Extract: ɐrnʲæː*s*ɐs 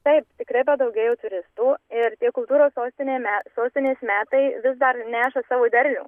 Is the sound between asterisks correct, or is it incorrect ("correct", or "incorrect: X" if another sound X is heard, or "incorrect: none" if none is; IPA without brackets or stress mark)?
incorrect: ʃ